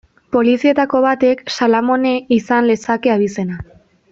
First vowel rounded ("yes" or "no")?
yes